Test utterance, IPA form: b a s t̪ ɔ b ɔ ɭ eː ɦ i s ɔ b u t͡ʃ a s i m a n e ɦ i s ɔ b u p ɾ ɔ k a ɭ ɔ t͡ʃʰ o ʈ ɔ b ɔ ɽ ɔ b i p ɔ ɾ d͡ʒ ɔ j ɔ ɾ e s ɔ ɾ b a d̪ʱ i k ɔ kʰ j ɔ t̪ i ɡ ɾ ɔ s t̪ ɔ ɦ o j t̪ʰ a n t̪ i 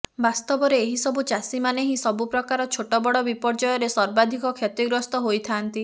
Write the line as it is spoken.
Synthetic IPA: b a s t̪ ɔ b ɔ ɾ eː ɦ i s ɔ b u t͡ʃ a s i m a n e ɦ i s ɔ b u p ɾ ɔ k a ɾ ɔ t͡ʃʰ o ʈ ɔ b ɔ ɽ ɔ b i p ɔ ɾ d͡ʒ ɔ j ɔ ɾ e s ɔ ɾ b a d̪ʱ i k ɔ kʰ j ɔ t̪ i ɡ ɾ ɔ s t̪ ɔ ɦ o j t̪ʰ a n t̪ i